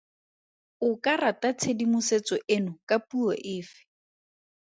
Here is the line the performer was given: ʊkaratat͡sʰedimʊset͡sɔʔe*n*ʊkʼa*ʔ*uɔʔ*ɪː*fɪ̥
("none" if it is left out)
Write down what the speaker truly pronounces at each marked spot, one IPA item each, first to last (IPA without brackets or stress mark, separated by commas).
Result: n, p, ɪː